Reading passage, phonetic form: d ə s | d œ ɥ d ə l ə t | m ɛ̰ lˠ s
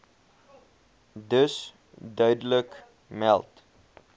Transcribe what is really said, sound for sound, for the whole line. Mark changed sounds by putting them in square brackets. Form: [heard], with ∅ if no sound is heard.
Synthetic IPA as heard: d ə s | d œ ɥ d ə l ə [k] | m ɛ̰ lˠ [t]